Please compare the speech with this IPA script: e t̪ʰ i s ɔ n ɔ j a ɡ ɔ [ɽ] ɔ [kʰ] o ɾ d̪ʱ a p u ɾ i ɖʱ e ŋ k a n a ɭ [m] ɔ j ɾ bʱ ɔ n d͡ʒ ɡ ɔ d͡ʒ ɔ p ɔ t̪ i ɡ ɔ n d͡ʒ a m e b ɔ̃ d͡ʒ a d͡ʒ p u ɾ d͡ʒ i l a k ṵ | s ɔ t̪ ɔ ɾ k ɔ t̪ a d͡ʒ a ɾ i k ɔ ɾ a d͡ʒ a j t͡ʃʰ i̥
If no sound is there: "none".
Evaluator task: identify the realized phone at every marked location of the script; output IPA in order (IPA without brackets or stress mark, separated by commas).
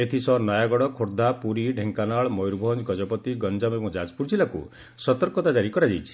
ɽ, kʰ, m